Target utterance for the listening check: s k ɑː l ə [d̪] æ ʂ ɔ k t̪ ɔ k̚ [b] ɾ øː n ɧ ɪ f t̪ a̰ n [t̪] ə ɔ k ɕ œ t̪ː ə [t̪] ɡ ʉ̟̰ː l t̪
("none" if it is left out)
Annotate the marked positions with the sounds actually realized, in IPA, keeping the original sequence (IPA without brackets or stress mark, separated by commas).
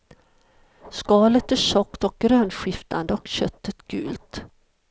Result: t̪, ɡ, d̪, t̪